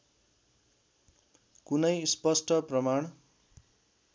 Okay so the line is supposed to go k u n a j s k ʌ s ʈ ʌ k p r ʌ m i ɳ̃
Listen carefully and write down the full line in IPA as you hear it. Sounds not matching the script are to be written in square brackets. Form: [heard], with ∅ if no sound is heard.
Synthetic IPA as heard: k u n [ʌ] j s [p] ʌ s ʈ ʌ [∅] p r ʌ m [a] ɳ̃